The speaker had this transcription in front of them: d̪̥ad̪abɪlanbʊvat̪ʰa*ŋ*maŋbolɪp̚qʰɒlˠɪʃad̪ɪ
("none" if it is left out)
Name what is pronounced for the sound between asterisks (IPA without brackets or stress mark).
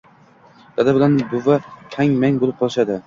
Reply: ŋ